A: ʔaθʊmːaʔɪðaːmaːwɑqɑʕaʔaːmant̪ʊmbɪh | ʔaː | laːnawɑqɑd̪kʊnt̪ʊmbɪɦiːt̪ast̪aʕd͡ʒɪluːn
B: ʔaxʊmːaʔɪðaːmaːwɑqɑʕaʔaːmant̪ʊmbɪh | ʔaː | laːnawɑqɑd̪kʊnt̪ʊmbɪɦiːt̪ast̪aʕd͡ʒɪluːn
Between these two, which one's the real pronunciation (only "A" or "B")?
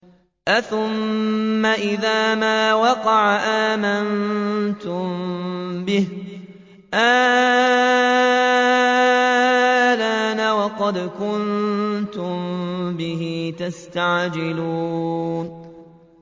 A